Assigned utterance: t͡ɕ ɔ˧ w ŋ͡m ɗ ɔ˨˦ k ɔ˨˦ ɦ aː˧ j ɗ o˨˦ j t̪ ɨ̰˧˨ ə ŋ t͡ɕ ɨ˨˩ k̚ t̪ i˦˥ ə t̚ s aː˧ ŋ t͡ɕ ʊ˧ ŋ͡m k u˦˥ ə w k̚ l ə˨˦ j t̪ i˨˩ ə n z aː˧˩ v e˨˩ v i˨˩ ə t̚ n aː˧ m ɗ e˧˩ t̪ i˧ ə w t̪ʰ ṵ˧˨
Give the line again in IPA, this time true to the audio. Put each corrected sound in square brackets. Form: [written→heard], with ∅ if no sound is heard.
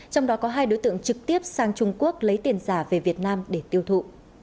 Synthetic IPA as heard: t͡ɕ ɔ˧ w ŋ͡m ɗ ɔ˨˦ k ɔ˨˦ ɦ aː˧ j ɗ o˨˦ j t̪ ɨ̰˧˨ ə ŋ t͡ɕ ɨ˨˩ k̚ t̪ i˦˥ ə [t̚→p̚] s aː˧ ŋ t͡ɕ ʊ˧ ŋ͡m k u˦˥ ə [w→∅] k̚ l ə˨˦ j t̪ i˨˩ ə n z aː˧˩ v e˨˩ v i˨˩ ə t̚ n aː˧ m ɗ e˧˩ t̪ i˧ ə w t̪ʰ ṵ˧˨